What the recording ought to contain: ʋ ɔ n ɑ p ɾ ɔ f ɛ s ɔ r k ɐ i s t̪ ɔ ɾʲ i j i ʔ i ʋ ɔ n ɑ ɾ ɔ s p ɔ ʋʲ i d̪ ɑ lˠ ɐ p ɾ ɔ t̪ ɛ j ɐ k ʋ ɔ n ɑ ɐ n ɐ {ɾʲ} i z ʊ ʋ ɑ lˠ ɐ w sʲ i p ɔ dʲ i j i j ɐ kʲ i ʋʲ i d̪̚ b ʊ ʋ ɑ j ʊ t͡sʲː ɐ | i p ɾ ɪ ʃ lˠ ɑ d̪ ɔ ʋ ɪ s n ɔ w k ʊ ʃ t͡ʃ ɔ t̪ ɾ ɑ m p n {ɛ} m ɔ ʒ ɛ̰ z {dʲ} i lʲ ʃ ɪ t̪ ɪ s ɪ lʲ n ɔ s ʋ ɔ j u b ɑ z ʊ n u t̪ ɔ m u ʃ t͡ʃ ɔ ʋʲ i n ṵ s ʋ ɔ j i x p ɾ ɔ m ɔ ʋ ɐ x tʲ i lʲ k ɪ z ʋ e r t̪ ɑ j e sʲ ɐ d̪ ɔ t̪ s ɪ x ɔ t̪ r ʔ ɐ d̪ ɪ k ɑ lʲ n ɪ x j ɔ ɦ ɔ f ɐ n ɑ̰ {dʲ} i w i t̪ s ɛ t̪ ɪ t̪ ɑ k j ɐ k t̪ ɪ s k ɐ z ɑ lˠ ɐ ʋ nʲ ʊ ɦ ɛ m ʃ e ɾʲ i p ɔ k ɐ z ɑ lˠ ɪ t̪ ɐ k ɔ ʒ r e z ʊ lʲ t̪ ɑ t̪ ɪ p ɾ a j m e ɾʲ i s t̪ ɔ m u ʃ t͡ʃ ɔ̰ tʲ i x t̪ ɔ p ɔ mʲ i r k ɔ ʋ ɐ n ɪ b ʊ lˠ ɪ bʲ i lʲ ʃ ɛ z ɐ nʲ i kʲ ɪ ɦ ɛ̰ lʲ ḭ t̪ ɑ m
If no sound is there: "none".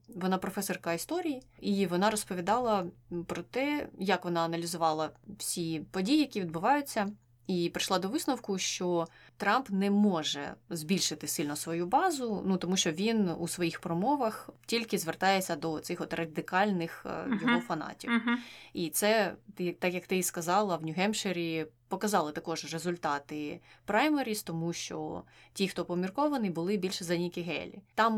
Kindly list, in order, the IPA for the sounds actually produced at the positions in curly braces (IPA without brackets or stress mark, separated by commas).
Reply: lʲ, ɛ, bʲ, tʲ